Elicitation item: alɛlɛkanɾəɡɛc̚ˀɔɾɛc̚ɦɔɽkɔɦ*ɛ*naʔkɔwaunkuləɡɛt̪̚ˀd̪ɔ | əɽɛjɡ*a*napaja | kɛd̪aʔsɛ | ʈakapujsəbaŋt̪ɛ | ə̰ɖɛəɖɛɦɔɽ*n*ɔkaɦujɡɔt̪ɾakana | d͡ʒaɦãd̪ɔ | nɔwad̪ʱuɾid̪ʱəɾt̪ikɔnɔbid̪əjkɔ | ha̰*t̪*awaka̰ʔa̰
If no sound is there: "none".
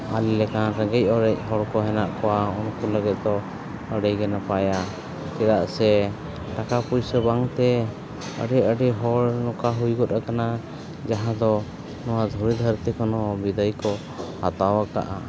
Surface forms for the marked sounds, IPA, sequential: ɛ, ɛ, n, t̪

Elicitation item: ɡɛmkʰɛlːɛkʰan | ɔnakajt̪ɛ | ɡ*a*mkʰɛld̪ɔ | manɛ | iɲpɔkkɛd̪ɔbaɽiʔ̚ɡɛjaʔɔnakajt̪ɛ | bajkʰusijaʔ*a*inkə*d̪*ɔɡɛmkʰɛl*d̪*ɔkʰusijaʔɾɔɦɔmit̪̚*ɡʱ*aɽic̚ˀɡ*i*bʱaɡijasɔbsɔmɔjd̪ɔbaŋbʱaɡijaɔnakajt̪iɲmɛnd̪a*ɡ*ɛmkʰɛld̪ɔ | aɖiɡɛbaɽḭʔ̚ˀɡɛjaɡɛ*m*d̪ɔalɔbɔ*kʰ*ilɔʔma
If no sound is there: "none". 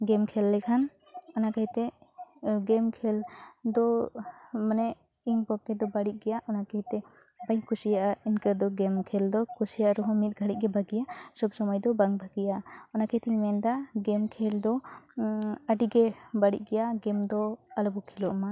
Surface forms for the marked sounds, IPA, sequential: ɛ, a, d̪, d̪, ɡʱ, ɛ, ɡ, m, kʰ

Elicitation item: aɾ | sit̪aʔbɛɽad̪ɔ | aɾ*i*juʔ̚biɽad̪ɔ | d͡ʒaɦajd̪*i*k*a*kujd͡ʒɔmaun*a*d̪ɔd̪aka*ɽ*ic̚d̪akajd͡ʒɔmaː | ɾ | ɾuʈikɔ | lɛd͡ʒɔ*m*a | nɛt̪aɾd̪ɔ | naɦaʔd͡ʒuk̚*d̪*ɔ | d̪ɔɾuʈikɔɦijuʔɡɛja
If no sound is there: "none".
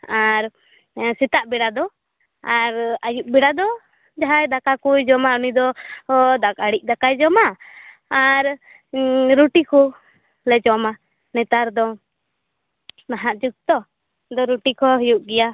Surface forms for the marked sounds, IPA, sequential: a, a, a, i, ɽ, m, t̪

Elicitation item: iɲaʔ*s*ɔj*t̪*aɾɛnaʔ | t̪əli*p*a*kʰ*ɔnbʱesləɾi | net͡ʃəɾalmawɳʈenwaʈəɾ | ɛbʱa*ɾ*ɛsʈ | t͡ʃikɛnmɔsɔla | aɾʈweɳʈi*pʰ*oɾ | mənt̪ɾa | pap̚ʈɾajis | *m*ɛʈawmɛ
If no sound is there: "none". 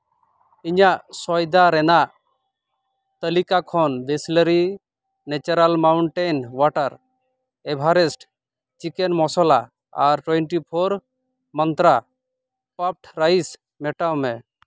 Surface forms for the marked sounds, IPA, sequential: s, d̪, k, kʰ, ɾ, pʰ, m

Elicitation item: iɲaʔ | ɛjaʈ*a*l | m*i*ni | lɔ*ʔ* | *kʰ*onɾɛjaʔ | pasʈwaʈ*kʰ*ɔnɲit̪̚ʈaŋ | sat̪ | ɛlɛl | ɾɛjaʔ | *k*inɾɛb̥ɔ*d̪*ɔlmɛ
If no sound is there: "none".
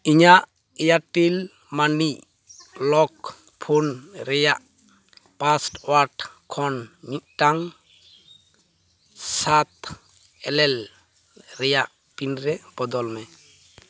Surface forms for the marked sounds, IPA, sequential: i, a, k, pʰ, kʰ, p, d̪

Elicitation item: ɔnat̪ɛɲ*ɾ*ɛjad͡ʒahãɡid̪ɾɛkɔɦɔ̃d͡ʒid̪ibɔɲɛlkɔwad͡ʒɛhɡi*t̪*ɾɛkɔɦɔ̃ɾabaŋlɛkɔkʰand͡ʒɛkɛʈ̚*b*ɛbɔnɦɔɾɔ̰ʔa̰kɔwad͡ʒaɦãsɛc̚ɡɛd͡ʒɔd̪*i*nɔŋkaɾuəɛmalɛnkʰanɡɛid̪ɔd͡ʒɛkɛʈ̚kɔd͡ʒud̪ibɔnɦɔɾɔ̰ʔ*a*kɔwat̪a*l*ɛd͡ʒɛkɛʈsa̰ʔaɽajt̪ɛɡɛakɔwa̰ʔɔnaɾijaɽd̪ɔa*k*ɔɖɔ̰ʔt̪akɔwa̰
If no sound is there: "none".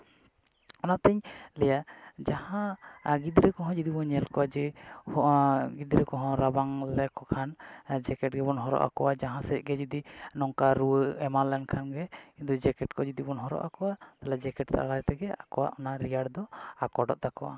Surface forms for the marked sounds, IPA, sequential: l, d̪, ɡ, i, a, l, k

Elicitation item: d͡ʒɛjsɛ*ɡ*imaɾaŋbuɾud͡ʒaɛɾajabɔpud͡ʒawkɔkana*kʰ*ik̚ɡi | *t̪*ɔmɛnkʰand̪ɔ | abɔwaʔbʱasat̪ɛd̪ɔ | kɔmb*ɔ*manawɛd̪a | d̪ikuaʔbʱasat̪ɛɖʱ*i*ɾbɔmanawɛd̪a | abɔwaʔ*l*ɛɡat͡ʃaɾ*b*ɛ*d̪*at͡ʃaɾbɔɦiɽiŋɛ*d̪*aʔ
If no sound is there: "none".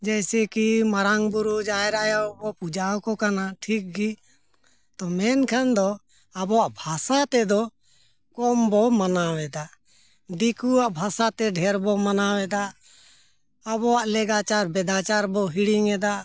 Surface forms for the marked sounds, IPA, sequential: k, ʈʰ, t̪, ɔ, ɛ, l, b, d̪, d̪

